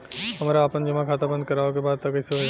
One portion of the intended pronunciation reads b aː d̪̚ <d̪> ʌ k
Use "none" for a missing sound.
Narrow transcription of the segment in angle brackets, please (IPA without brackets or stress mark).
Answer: t̪